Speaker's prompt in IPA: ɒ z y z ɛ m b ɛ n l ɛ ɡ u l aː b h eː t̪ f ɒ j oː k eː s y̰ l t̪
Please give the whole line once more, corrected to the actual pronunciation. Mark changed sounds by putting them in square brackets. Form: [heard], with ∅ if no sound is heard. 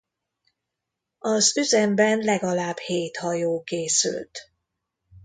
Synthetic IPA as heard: ɒ z y z ɛ m b ɛ n l ɛ ɡ [ɒ] l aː b h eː t̪ [h] ɒ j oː k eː s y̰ l t̪